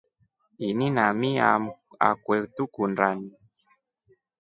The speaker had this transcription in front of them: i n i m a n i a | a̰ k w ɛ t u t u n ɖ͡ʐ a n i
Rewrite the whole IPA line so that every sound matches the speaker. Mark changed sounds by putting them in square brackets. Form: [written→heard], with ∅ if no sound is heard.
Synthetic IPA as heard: i n i [m→n] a [n→m] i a | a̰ k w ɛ t u [t→k] u n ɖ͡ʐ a n i